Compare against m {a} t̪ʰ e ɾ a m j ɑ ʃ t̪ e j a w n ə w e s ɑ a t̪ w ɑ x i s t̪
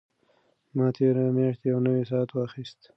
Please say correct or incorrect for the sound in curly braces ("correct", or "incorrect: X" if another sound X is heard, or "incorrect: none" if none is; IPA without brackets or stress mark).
incorrect: ɑ